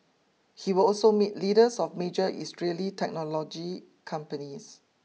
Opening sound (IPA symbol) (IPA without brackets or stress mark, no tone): h